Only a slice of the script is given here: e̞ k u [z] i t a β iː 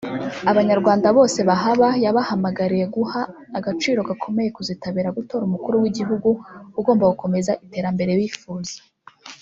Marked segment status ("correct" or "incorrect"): correct